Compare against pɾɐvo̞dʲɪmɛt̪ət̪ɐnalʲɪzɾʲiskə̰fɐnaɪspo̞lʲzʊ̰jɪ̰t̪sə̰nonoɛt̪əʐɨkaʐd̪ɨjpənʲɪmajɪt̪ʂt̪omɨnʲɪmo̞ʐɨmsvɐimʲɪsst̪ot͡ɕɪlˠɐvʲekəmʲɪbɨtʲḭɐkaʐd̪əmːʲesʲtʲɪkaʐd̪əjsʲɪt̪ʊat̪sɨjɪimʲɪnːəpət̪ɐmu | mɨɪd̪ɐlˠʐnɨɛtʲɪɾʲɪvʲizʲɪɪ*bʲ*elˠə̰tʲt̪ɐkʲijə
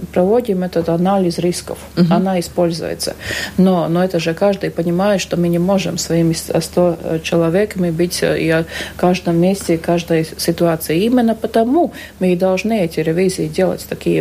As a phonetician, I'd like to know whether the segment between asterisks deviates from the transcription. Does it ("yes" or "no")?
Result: yes